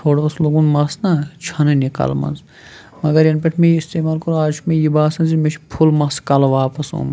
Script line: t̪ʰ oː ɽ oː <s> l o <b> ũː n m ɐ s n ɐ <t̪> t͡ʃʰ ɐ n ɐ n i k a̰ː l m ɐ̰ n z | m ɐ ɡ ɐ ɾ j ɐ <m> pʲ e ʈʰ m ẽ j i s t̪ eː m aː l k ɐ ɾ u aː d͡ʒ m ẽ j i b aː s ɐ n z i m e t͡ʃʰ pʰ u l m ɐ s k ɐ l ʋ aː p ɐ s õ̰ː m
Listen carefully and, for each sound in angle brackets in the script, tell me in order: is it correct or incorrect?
correct, incorrect, incorrect, incorrect

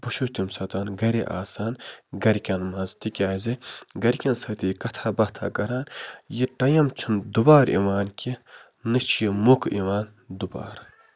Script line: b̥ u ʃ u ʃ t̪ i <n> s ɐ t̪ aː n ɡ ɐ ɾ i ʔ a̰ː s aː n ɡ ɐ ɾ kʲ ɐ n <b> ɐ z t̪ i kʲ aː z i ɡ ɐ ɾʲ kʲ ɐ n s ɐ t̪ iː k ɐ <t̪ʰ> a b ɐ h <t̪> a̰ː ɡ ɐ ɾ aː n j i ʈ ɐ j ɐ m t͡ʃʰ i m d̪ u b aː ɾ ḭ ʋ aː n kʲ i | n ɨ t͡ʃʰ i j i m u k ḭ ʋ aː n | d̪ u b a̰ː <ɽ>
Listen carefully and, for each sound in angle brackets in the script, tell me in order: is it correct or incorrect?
incorrect, incorrect, correct, incorrect, incorrect

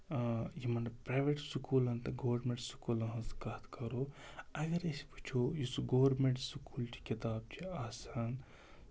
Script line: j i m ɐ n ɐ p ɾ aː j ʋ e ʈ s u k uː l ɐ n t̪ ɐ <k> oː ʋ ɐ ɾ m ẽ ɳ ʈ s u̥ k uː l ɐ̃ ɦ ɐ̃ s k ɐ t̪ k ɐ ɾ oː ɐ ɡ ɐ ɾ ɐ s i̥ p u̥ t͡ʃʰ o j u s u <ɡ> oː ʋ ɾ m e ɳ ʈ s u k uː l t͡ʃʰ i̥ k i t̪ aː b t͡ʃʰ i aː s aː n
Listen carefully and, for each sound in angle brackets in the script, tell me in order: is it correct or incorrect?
incorrect, correct

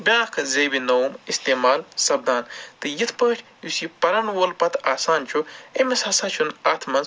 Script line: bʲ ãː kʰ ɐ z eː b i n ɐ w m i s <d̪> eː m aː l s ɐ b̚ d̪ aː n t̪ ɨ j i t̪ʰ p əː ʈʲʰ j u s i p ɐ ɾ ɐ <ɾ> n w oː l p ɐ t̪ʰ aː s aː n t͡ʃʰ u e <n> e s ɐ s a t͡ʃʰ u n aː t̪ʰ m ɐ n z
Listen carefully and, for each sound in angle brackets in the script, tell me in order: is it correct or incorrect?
incorrect, incorrect, incorrect

